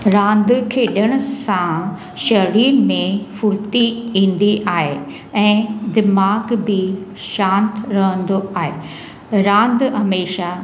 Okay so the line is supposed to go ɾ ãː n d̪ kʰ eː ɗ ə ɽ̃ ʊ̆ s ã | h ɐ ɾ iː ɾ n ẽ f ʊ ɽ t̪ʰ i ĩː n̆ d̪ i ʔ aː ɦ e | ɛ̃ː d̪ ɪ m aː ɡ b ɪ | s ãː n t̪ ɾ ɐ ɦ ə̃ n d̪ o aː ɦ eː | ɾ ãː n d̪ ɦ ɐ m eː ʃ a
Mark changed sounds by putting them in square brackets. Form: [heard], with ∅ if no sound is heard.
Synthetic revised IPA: ɾ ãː n d̪ kʰ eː ɗ ə ɽ̃ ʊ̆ s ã | [ʃ] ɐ ɾ iː ɾ [m] ẽ f ʊ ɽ [t̪] i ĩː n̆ d̪ i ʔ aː ɦ e | ɛ̃ː d̪ ɪ m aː ɡ b ɪ | [ʃ] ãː n t̪ ɾ ɐ ɦ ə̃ n d̪ o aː ɦ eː | ɾ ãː n d̪ ɦ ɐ m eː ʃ a